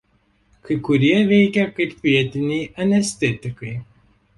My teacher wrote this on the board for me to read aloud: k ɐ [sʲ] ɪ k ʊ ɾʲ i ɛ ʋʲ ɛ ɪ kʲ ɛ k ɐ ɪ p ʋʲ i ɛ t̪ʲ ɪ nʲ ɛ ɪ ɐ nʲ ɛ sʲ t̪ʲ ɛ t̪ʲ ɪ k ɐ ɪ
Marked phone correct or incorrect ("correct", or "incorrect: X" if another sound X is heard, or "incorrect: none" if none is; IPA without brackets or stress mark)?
incorrect: none